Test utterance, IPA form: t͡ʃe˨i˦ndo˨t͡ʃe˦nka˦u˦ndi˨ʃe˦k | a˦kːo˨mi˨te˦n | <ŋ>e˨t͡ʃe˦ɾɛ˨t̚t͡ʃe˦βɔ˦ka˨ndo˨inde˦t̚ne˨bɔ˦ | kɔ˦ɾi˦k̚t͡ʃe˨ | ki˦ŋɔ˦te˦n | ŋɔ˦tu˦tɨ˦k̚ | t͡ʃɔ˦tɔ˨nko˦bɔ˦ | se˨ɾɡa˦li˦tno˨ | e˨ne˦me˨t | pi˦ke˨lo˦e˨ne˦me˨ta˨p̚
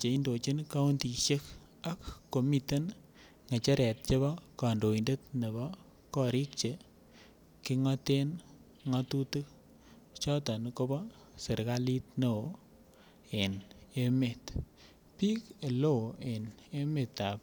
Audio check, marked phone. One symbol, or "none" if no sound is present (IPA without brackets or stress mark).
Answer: ŋ